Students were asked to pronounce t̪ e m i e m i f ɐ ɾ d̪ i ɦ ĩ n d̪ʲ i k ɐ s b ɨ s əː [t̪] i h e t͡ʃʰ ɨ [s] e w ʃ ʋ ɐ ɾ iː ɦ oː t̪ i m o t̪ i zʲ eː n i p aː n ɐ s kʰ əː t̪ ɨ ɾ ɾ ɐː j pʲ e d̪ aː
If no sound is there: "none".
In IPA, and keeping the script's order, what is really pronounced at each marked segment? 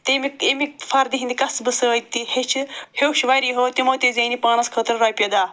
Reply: t̪, h

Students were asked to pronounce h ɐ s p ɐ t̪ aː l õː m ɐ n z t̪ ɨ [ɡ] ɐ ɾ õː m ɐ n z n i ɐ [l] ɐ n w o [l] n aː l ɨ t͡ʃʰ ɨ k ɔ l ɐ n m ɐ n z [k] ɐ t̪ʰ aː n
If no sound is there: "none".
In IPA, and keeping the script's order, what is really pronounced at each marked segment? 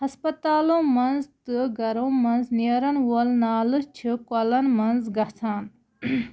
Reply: ɡ, ɾ, l, ɡ

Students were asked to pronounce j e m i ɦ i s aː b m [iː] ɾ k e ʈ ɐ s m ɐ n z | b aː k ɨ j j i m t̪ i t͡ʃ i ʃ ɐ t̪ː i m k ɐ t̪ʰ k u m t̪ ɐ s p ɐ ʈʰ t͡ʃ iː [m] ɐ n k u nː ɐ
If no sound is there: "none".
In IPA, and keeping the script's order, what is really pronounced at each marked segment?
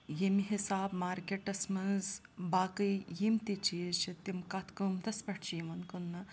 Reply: aː, m

